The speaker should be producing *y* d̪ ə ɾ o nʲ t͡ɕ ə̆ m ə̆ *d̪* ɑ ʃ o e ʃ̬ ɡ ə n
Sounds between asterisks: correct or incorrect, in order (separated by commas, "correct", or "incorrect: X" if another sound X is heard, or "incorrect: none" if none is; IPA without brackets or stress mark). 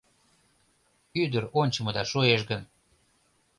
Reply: correct, correct